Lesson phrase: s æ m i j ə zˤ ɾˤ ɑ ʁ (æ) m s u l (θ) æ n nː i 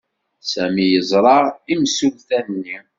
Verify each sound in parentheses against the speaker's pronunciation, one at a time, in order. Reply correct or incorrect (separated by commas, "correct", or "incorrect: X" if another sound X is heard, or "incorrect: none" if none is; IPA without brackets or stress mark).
incorrect: i, correct